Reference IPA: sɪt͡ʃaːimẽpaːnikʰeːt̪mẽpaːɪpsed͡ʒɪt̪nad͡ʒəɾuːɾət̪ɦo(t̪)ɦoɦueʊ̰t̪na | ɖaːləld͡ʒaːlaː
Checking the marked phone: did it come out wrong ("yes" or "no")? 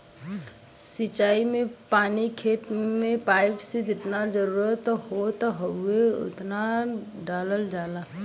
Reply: no